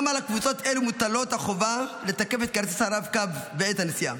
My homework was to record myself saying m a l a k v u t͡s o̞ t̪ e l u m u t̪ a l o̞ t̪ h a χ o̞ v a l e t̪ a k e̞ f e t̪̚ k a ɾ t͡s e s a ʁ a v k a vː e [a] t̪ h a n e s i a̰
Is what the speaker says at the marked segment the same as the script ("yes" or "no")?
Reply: no